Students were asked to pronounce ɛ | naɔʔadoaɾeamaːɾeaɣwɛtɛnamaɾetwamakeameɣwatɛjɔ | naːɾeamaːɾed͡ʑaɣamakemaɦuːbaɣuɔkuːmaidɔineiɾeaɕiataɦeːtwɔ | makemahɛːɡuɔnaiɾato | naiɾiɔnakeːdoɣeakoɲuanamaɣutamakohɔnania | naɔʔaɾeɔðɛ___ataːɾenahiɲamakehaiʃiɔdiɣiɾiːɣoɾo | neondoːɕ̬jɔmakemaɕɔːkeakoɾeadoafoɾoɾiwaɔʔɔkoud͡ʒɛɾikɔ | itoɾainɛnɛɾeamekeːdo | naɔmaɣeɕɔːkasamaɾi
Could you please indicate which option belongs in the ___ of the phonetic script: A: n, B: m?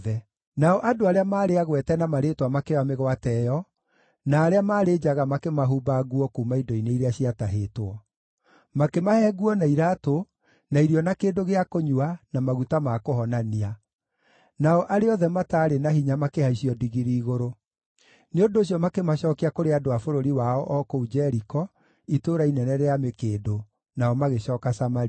B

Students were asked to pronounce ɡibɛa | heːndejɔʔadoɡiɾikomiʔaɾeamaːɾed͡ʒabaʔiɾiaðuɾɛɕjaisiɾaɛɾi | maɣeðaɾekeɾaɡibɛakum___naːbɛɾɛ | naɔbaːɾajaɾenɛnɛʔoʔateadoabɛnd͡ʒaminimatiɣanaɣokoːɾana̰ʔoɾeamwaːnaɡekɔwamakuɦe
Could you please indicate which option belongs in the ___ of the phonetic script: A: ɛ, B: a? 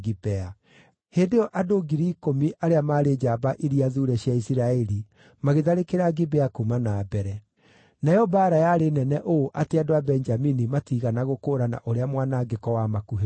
B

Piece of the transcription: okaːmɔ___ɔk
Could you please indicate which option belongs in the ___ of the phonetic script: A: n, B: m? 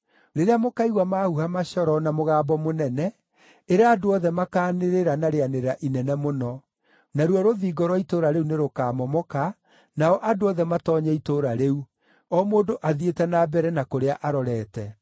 B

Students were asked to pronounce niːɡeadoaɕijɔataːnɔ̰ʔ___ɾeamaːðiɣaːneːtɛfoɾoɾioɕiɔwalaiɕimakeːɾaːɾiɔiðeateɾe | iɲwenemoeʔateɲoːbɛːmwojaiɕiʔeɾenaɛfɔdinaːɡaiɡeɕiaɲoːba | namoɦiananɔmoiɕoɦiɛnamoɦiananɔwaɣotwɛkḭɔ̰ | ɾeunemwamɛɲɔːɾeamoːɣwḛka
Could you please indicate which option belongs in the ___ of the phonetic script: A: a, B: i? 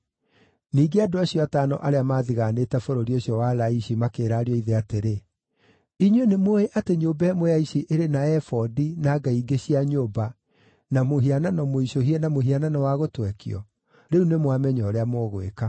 A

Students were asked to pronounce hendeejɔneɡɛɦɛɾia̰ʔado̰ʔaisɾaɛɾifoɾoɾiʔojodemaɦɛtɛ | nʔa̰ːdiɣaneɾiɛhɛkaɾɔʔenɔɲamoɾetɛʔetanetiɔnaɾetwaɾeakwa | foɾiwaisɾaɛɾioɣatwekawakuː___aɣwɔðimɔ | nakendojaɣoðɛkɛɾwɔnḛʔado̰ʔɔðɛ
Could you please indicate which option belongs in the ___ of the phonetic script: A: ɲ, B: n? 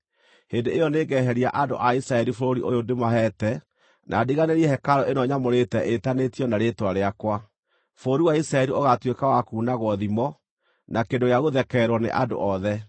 B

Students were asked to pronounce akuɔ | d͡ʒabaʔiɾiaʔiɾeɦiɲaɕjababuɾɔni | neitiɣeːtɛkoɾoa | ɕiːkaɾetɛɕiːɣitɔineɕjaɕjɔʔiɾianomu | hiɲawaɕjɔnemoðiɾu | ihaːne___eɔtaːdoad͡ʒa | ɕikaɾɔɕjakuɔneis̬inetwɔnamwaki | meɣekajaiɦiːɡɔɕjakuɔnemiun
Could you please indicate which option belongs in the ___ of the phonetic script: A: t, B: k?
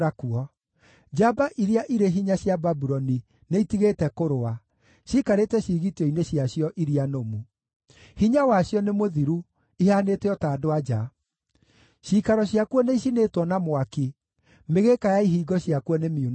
A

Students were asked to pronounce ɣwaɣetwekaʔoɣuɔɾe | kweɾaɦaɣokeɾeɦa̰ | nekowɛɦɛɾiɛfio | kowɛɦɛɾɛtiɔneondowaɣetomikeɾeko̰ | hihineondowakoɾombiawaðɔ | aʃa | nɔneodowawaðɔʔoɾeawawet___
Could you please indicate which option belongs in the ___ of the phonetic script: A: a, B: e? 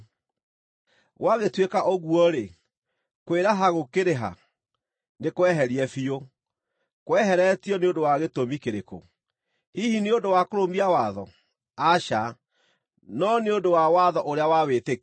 B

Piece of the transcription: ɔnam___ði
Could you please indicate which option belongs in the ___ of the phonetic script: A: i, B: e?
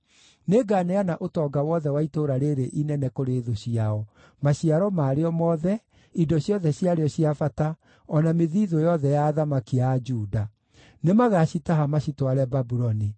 B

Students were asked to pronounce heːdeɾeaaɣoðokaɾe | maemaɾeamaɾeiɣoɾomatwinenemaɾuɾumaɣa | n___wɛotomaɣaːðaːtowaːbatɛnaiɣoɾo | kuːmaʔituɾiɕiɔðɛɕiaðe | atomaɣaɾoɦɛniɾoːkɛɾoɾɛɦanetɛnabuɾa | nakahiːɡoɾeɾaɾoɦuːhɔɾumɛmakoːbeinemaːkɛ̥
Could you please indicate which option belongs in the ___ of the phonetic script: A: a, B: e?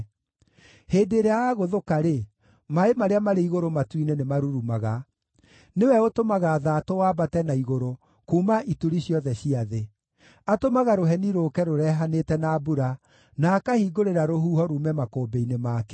B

